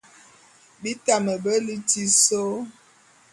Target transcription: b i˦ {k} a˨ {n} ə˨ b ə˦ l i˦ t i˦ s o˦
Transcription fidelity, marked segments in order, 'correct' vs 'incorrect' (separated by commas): incorrect, incorrect